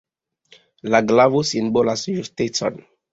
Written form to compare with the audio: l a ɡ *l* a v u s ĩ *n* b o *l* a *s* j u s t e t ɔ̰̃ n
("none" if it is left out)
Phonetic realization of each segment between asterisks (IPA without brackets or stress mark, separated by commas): l, n, l, s